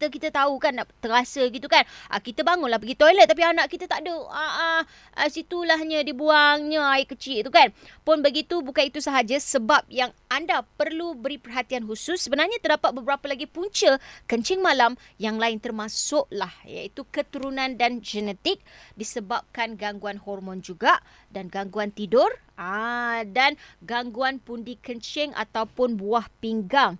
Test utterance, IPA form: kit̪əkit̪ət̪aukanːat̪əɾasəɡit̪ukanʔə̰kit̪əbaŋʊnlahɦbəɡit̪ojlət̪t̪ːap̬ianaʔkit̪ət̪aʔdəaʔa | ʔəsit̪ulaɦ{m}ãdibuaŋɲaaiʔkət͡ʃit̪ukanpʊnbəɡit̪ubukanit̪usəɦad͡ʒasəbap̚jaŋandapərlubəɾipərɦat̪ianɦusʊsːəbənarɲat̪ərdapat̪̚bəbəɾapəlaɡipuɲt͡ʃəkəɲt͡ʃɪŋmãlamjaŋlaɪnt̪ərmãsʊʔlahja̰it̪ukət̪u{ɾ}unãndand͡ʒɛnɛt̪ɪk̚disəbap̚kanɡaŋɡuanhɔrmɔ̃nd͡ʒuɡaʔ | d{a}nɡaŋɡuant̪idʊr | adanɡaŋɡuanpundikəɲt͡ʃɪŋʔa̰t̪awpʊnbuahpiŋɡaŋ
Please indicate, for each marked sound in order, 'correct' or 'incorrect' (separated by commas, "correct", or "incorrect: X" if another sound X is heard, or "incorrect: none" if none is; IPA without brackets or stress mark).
incorrect: ɲ, correct, correct